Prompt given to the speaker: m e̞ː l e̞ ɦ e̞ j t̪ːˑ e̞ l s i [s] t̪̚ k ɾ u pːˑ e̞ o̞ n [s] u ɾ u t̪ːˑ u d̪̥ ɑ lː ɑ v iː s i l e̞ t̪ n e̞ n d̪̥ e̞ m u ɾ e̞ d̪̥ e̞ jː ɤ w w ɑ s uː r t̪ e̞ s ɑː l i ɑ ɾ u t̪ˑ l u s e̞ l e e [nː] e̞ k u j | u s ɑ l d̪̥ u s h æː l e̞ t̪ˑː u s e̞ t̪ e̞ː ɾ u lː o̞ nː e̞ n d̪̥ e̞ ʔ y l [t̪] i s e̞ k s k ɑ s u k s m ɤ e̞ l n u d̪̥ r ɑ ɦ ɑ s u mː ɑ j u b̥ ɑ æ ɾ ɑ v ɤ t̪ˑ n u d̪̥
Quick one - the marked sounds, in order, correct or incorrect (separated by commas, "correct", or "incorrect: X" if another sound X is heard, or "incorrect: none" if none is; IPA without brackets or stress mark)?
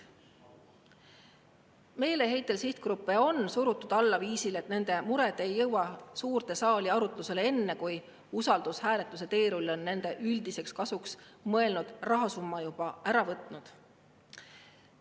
incorrect: h, correct, correct, incorrect: d̪